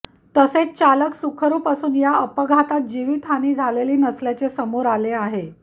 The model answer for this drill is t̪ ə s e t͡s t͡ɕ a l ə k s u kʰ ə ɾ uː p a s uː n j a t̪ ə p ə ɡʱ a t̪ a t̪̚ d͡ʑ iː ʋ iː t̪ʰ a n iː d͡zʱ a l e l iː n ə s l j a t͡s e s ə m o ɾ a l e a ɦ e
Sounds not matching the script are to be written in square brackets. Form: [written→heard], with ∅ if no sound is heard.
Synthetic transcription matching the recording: t̪ ə s e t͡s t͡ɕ a l ə k s u kʰ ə ɾ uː p a s uː n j a [t̪→∅] ə p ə ɡʱ a t̪ a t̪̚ d͡ʑ [iː→i] ʋ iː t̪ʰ a n iː d͡zʱ a l e l iː n ə s l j a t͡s e s ə m o ɾ a l e a ɦ e